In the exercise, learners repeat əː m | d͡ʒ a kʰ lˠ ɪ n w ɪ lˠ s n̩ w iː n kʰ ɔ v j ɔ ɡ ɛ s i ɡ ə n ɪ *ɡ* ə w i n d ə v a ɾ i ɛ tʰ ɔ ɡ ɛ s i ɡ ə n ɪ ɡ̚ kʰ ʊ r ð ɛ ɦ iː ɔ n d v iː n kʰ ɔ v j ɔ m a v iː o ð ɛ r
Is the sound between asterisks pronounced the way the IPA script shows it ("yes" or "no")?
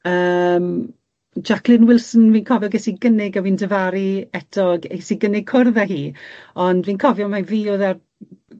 yes